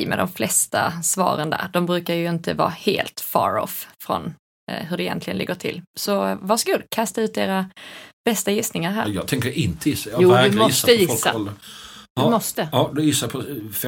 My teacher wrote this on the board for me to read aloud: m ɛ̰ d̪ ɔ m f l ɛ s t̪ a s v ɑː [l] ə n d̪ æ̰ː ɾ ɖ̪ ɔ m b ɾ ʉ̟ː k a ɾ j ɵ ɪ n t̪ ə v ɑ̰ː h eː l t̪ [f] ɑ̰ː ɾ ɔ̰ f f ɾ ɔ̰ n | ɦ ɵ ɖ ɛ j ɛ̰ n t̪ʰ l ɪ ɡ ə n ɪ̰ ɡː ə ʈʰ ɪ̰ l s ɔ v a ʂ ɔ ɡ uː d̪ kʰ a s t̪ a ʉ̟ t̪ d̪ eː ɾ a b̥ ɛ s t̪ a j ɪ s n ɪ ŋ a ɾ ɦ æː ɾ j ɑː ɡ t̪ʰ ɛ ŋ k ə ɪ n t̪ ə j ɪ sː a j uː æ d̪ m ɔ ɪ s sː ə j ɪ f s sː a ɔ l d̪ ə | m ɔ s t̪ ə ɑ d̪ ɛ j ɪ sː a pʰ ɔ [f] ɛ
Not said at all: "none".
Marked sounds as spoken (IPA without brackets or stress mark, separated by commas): ɾ, f, f